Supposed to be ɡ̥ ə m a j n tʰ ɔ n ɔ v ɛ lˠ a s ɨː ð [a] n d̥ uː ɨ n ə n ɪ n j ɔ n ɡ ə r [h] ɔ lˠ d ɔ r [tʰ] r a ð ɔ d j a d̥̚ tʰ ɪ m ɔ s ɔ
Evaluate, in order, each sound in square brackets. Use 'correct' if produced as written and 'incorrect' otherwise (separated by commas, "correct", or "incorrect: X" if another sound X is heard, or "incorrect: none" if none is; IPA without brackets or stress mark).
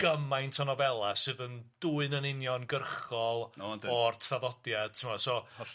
incorrect: ə, incorrect: χ, correct